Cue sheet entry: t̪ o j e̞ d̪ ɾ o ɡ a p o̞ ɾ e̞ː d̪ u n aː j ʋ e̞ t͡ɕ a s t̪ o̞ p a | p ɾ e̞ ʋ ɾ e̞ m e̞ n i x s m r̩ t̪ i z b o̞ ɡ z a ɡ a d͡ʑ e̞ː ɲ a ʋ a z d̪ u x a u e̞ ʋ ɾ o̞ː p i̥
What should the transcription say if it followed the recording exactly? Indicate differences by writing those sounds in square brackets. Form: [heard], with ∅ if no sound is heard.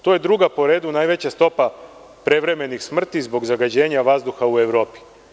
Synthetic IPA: t̪ o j e̞ d̪ ɾ [u] ɡ a p o̞ ɾ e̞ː d̪ u n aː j ʋ e̞ t͡ɕ a s t̪ o̞ p a | p ɾ e̞ ʋ ɾ e̞ m e̞ n i x s m r̩ t̪ i z b o̞ ɡ z a ɡ a d͡ʑ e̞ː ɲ a ʋ a z d̪ u x a u e̞ ʋ ɾ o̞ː p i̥